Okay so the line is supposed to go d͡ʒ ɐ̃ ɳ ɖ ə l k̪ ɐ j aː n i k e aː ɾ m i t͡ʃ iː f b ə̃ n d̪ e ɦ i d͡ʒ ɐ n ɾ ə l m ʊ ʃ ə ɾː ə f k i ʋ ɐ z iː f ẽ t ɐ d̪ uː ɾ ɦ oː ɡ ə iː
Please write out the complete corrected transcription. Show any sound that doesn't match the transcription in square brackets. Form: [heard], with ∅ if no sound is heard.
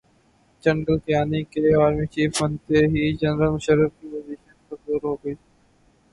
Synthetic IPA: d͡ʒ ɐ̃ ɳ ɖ ə l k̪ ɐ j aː n i k e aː ɾ m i t͡ʃ iː f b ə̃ n [t̪] e ɦ i d͡ʒ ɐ n ɾ ə l m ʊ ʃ ə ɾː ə f k i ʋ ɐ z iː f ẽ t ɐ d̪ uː ɾ ɦ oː ɡ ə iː